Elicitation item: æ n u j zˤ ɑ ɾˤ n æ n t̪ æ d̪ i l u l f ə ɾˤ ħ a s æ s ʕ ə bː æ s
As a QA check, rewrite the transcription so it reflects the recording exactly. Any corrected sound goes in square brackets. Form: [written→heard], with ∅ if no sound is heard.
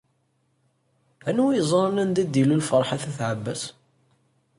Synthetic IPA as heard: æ n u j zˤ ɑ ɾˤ n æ n [t̪→d̪] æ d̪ i l u l f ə ɾˤ ħ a [s→θ] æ [s→θ] ʕ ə bː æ s